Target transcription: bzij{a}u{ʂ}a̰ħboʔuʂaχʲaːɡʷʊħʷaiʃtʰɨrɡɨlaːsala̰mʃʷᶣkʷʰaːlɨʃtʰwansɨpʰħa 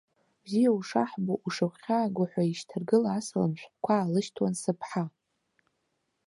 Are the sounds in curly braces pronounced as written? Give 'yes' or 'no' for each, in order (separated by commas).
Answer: yes, yes